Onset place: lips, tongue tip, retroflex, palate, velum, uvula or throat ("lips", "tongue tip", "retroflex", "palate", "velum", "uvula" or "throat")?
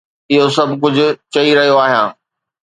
throat